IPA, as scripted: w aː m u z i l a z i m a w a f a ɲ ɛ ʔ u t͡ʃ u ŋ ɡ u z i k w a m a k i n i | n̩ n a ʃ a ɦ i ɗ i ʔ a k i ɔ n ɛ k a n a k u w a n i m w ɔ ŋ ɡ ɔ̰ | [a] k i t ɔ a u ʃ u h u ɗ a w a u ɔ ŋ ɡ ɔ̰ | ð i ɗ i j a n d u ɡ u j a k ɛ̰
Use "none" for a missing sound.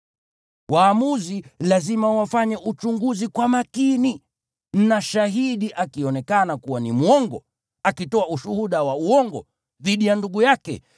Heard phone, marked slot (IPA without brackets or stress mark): a